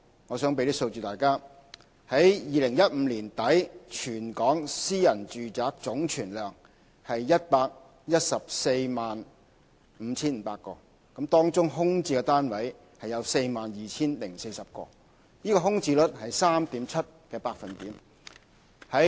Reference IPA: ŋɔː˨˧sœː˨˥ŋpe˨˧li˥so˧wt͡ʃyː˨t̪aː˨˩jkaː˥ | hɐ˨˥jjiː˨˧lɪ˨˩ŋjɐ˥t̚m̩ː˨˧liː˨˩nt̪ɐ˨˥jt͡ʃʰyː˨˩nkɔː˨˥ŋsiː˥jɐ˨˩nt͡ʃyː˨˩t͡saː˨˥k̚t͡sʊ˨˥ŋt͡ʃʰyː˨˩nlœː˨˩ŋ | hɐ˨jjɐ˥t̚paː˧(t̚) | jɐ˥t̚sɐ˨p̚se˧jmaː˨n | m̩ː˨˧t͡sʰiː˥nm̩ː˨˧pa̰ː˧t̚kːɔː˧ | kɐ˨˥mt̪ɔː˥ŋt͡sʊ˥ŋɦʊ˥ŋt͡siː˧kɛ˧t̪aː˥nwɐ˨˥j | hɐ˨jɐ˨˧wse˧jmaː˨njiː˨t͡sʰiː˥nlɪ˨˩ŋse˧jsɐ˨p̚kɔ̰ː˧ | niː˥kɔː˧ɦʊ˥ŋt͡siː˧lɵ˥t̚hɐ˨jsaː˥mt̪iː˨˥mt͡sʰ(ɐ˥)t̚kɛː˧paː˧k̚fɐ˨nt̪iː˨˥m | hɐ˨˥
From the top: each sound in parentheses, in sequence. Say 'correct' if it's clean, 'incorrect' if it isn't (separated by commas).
incorrect, correct